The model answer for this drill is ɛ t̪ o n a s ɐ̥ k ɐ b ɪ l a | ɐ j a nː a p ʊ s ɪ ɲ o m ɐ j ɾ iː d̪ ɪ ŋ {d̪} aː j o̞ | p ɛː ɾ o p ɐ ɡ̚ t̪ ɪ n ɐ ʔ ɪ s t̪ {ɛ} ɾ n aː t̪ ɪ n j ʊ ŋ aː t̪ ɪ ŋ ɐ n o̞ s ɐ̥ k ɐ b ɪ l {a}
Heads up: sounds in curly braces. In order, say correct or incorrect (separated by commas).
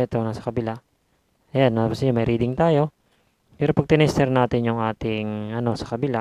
incorrect, correct, correct